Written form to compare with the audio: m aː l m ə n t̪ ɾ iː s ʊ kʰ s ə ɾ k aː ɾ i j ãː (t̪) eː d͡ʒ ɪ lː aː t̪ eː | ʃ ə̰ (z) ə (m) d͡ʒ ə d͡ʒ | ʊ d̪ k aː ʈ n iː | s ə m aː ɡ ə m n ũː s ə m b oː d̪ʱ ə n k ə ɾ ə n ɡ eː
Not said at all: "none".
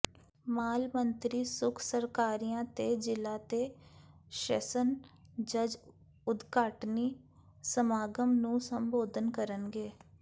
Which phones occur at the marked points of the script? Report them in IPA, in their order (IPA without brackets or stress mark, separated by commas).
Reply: t̪, s, n